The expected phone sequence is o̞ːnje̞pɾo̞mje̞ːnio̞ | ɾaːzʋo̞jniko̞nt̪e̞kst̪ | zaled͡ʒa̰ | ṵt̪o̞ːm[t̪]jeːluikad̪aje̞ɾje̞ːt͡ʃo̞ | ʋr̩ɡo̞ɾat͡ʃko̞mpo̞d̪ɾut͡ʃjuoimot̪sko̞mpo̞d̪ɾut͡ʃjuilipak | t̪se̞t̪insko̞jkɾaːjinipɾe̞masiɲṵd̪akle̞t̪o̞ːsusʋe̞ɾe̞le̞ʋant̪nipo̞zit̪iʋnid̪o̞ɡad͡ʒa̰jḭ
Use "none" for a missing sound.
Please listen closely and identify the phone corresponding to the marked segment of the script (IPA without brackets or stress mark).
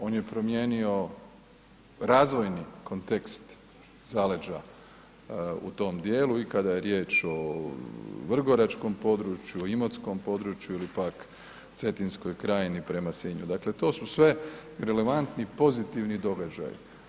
d̪